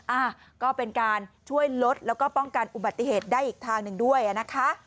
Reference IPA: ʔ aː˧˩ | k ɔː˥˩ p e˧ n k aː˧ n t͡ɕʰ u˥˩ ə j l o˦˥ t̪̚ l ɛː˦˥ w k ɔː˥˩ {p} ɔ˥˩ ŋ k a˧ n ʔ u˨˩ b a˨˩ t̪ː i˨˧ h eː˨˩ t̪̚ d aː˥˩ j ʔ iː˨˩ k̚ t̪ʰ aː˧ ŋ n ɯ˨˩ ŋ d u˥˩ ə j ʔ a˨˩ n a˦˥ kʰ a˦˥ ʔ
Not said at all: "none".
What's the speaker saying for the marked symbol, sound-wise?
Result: p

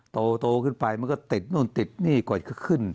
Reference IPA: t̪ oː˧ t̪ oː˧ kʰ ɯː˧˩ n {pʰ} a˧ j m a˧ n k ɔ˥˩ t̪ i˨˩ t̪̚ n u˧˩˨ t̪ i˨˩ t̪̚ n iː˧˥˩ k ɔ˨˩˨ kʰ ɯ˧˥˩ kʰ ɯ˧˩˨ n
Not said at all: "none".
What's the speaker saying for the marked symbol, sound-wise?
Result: p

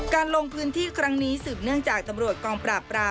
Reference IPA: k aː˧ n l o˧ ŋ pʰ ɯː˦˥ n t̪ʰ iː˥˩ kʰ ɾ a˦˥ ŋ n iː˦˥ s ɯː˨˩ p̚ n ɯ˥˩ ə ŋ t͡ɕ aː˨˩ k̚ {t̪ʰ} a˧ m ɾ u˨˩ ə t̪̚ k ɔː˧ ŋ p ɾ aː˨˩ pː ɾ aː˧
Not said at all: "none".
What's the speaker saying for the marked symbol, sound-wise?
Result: t̪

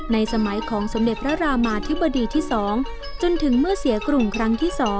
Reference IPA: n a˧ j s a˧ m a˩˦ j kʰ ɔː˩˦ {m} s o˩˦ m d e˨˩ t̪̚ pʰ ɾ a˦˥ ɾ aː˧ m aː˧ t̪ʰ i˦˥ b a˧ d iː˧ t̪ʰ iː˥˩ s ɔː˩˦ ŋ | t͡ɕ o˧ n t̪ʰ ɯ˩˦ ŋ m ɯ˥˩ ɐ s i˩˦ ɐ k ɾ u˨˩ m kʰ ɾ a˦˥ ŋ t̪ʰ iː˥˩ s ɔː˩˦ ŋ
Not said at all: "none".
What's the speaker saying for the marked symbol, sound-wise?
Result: ŋ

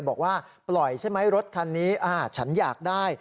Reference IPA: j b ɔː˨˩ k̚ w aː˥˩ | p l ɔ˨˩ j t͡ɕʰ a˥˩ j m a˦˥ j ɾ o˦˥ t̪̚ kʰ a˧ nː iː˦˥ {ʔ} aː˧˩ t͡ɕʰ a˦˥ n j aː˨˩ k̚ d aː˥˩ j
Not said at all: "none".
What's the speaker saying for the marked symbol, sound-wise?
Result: ʔ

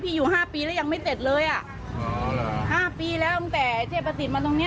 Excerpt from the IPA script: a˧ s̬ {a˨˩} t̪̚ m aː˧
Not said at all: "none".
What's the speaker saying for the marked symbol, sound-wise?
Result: i˨˩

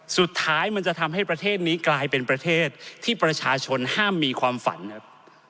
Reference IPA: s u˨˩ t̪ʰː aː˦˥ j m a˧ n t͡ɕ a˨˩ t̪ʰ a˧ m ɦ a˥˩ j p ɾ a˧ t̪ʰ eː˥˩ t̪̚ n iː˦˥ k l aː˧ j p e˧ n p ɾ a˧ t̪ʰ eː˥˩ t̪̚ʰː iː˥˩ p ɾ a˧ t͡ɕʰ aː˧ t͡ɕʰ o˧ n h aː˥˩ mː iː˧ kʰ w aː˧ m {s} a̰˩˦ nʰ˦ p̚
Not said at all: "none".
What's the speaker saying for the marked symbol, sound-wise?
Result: f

